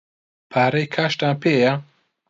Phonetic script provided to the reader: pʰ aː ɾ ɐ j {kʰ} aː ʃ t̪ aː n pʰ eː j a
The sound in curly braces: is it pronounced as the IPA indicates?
yes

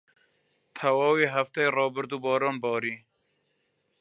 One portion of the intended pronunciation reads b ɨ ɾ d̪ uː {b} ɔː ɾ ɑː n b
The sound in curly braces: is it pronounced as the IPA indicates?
yes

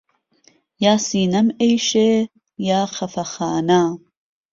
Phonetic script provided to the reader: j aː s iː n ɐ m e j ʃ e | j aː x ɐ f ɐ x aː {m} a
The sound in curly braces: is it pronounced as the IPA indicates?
no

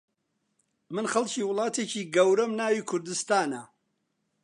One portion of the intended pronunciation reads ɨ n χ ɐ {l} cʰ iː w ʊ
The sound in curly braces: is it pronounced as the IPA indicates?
yes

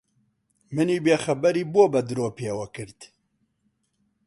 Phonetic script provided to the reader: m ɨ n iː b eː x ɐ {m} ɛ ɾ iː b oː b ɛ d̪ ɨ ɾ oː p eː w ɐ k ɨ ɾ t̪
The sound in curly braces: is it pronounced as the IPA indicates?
no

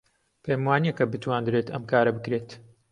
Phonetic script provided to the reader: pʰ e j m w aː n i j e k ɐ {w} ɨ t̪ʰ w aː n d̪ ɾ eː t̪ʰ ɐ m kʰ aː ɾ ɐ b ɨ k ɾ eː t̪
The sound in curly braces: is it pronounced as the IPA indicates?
no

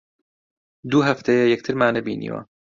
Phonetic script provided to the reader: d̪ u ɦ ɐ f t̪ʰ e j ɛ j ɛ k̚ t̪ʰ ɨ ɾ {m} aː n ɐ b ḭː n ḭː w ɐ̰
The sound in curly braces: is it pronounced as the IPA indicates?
yes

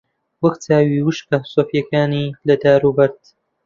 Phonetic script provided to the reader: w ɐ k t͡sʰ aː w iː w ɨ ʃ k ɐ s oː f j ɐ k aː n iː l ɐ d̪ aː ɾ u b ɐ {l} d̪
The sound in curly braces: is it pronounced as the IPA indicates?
no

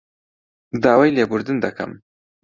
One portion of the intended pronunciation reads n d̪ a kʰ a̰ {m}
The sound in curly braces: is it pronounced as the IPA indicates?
yes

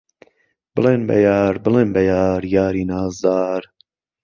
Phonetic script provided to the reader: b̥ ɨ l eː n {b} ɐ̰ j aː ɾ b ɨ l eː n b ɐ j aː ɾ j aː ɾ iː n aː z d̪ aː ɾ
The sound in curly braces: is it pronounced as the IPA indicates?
yes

